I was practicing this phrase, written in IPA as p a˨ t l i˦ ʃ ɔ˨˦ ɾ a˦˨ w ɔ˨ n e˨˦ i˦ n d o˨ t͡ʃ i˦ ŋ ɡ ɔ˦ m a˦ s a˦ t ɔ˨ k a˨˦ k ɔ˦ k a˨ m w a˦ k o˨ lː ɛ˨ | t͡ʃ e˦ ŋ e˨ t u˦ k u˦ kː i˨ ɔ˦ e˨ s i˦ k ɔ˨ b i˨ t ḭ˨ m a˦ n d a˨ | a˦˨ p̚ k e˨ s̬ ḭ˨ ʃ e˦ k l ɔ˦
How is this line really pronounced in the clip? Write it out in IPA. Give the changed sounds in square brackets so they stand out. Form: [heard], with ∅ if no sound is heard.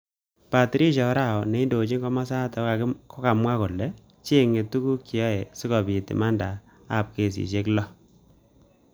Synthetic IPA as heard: p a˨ t [ɾ] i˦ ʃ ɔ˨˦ ɾ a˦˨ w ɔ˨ n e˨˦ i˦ n d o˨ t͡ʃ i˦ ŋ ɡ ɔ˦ m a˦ s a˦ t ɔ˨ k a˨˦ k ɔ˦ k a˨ m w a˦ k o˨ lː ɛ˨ | t͡ʃ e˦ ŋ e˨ t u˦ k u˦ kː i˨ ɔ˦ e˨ s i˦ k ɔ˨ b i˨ t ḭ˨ m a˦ n d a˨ | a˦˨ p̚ k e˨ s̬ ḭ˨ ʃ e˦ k l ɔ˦